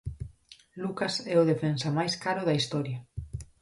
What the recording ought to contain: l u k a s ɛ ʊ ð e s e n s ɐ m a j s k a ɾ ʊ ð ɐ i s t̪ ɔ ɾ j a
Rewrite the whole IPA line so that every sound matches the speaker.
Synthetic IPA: l u k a s ɛ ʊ ð e f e n s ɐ m a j s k a ɾ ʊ ð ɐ i s t̪ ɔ ɾ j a

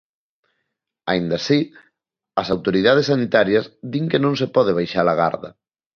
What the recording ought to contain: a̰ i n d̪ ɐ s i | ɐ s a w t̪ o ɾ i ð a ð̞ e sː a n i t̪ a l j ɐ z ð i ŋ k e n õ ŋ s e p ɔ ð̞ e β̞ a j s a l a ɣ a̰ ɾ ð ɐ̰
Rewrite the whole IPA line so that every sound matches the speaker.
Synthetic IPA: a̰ i n d̪ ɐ s i | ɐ s a w t̪ o ɾ i ð a ð̞ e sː a n i t̪ a ɾ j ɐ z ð i ŋ k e n õ ŋ s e p ɔ ð̞ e β̞ a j ʃ a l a ɣ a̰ ɾ ð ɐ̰

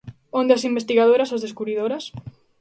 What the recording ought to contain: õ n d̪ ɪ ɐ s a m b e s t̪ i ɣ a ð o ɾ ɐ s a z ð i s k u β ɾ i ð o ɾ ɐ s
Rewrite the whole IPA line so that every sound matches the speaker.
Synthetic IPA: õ n d̪ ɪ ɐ s i m b e s t̪ i ɣ a ð o ɾ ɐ s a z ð e s k u β ɾ i ð o ɾ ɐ s

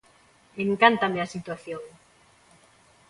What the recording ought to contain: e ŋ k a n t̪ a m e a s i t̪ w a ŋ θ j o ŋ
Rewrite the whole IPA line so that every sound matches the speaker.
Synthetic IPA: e ŋ k a n t̪ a m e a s i t̪ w a θ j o ŋ

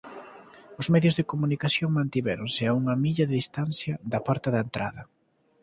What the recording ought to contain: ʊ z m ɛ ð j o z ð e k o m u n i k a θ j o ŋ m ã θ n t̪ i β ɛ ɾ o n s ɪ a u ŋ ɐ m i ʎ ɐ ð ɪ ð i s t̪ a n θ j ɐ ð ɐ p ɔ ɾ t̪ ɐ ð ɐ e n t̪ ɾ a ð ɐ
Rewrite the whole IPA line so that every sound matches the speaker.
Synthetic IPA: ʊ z m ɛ ð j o z ð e k o m u n i k a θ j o ŋ m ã n t̪ i β ɛ ɾ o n s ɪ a u ŋ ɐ m i ʎ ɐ ð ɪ ð i s t̪ a n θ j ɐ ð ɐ p ɔ ɾ t̪ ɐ ð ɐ e n t̪ ɾ a ð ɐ

